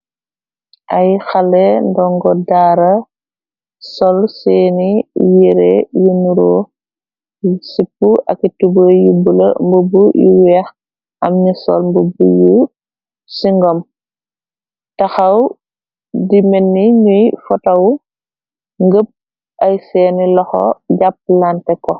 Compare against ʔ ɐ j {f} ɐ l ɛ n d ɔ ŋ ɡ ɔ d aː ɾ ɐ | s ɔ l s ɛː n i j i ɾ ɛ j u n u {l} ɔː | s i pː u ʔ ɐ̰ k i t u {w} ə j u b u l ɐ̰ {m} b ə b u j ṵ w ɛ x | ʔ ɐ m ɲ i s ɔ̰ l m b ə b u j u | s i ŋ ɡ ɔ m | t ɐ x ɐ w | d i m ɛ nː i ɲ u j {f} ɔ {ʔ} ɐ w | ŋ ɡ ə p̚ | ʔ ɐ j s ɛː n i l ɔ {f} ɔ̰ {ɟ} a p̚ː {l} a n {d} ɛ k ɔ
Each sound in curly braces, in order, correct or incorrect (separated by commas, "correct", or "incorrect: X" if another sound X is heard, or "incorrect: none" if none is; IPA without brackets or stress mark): incorrect: x, incorrect: ɾ, incorrect: b, correct, correct, incorrect: t, incorrect: x, correct, correct, incorrect: t